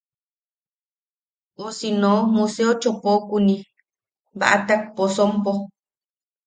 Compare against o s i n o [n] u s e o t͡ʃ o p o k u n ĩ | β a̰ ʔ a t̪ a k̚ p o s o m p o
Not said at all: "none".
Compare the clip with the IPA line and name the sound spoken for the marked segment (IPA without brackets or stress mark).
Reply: m